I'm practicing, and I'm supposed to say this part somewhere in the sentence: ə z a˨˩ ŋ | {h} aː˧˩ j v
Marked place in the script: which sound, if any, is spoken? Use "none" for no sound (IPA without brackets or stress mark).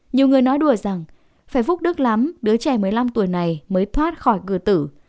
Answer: f